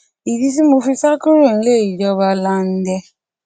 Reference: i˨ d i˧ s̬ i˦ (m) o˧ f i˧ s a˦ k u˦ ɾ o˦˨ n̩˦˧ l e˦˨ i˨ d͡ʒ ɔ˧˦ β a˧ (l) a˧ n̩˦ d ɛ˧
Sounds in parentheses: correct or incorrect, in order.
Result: correct, correct

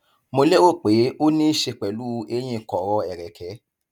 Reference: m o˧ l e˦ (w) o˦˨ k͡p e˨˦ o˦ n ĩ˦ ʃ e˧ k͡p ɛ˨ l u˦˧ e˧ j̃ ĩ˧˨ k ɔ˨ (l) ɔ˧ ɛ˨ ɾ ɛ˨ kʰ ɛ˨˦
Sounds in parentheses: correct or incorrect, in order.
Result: correct, incorrect: ɾ

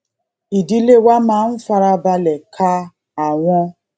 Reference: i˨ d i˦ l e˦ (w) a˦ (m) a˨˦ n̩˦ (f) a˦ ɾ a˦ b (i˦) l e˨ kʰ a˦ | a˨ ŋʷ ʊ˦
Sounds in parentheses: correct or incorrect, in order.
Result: correct, correct, correct, incorrect: a˦

